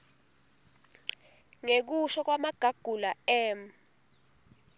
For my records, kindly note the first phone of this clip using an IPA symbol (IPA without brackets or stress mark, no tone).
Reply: ŋ